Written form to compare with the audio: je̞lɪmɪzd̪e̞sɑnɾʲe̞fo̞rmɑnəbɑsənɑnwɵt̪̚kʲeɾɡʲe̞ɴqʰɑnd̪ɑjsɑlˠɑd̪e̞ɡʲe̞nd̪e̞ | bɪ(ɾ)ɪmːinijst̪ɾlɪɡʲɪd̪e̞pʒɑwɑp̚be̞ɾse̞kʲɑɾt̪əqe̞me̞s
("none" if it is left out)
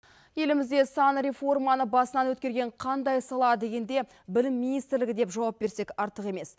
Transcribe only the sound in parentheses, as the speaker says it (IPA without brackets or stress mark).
l